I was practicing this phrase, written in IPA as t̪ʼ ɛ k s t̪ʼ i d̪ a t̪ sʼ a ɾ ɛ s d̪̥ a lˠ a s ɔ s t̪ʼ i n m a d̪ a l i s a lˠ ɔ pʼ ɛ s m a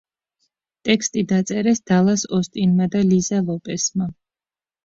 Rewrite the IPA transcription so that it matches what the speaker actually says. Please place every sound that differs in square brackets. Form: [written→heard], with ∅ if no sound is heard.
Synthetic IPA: t̪ʼ ɛ k s t̪ʼ i d̪ a t̪ sʼ [a→ɛ] ɾ ɛ s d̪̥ a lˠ a s ɔ s t̪ʼ i n m a d̪ a l i [s→z] a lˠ ɔ pʼ ɛ s m a